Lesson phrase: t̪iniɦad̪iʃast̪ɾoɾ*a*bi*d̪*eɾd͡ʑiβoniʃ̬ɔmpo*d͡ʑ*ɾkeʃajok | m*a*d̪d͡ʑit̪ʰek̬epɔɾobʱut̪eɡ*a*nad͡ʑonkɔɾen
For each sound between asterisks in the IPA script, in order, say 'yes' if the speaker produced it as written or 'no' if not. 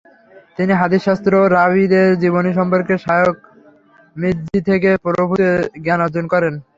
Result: yes, yes, no, no, yes

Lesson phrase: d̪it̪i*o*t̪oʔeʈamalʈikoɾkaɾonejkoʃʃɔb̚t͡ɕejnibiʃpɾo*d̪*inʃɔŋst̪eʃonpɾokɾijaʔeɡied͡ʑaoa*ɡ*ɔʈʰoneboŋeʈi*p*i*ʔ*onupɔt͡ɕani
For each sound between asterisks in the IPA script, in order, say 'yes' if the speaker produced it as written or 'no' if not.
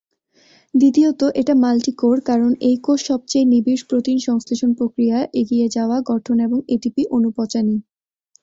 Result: yes, no, yes, yes, yes

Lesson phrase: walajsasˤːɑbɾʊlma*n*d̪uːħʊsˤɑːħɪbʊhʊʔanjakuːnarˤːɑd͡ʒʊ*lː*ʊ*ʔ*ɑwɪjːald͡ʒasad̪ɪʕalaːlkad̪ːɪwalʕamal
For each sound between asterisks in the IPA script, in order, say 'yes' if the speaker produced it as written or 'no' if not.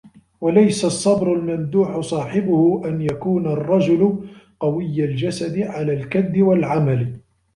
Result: yes, no, no

